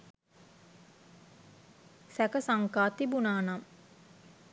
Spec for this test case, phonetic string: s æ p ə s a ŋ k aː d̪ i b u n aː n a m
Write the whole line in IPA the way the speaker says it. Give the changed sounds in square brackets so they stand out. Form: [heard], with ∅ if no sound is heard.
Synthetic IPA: s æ [k] ə s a ŋ k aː [t̪] i b u n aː n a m

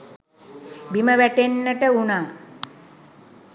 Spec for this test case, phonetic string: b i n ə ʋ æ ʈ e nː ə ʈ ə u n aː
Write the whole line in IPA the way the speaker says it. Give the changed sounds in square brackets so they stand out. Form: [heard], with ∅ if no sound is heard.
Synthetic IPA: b i [m] ə ʋ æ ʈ e nː ə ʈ ə u n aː

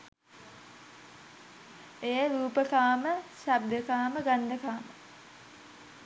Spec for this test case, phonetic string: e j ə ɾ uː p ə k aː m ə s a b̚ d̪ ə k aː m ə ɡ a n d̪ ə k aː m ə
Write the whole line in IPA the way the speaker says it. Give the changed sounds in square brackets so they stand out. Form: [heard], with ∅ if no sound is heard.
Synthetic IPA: e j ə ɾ uː p ə k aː m ə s a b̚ d̪ ə k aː m ə ɡ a n d̪ ə k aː m ə

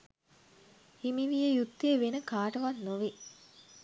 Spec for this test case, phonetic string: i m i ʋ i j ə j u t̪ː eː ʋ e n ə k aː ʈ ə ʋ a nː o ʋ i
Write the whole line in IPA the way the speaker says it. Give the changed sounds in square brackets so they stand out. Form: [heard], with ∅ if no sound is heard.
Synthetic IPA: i m i ʋ i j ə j u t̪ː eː ʋ e n ə k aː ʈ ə ʋ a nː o ʋ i

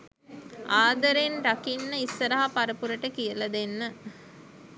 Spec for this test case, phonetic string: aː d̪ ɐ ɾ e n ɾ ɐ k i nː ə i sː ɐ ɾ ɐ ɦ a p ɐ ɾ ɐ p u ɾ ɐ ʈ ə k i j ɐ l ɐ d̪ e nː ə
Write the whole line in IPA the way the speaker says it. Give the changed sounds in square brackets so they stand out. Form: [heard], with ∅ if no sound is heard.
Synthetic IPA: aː d̪ ɐ ɾ e n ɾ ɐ k i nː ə i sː ɐ ɾ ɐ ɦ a p ɐ ɾ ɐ p u ɾ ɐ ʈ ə k i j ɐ l ɐ d̪ e nː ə

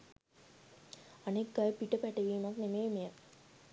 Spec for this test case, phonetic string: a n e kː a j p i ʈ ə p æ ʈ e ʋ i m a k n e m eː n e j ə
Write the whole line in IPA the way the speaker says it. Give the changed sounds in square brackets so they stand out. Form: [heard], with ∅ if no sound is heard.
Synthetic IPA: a n e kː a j p i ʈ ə p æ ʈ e ʋ [iː] m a k n e m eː [m] e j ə

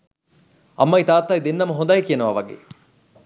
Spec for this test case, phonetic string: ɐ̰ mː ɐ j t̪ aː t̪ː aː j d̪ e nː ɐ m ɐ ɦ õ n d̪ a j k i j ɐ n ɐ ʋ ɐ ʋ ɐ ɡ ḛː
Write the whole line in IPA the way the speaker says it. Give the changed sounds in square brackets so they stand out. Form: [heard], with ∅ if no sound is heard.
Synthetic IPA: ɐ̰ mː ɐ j t̪ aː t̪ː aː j d̪ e nː ɐ m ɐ ɦ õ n d̪ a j k i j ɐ n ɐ ʋ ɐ ʋ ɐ ɡ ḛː

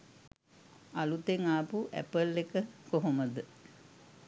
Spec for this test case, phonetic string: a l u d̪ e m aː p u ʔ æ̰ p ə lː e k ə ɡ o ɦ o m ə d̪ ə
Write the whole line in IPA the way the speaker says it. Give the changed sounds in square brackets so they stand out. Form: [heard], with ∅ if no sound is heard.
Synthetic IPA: a l u [t̪] e [ŋ] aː p u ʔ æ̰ p ə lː e k ə [k] o ɦ o m ə d̪ ə

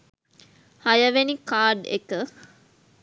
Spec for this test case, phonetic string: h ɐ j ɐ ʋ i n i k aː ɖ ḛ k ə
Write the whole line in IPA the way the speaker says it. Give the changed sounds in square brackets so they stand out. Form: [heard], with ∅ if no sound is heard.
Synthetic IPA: h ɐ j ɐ ʋ [e] n i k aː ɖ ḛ k ə

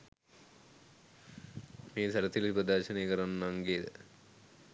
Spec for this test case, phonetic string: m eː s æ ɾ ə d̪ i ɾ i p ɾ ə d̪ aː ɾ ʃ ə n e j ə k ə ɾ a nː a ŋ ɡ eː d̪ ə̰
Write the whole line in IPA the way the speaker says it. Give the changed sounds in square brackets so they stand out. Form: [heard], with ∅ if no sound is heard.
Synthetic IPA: m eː s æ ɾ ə [t̪] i [l] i p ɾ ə d̪ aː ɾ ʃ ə n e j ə k ə ɾ a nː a ŋ ɡ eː d̪ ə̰

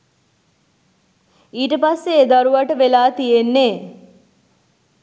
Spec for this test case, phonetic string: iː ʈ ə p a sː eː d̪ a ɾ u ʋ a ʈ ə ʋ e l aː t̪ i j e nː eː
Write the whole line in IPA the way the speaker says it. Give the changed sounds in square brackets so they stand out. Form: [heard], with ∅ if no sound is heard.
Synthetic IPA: iː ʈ ə p a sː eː d̪ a ɾ u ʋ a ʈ ə ʋ e l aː t̪ i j e nː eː

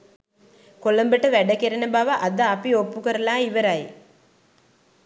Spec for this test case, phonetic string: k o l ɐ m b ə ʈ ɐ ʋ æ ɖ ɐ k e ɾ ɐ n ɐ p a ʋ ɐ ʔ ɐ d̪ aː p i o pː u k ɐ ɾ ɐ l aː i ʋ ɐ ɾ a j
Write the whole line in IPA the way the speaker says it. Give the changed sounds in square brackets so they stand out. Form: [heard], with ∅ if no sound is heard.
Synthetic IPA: k o l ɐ m b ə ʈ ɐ ʋ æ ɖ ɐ k e ɾ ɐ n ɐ [b] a ʋ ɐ ʔ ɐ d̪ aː p i o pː u k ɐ ɾ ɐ l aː i ʋ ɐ ɾ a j

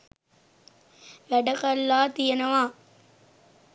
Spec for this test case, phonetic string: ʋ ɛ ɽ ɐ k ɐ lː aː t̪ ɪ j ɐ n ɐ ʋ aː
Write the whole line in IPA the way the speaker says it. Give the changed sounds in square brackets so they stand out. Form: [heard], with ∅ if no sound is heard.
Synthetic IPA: ʋ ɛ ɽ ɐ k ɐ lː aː t̪ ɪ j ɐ n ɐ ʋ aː

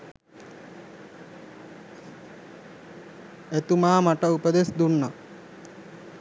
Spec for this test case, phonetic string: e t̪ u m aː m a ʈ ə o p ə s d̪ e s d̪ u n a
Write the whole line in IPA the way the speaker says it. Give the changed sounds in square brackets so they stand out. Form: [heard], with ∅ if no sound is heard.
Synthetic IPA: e t̪ u m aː m a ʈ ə [u] p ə [∅] d̪ e s d̪ u [nː] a

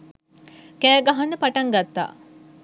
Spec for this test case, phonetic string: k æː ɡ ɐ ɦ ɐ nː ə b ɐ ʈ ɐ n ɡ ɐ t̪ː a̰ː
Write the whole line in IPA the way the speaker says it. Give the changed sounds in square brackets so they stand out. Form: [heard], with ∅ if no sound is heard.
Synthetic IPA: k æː ɡ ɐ ɦ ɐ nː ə [p] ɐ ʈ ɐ [ŋ] ɡ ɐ t̪ː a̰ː

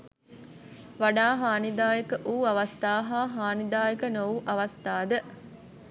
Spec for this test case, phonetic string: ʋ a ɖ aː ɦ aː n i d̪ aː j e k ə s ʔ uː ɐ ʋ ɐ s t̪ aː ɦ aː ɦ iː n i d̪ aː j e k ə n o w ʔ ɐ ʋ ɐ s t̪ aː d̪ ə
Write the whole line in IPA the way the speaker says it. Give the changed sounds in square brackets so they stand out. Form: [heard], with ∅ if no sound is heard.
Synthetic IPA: ʋ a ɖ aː ɦ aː n i d̪ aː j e k ə [∅] ʔ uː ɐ ʋ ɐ s t̪ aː ɦ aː ɦ [aː] n i d̪ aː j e k ə n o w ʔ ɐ ʋ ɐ s t̪ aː d̪ ə

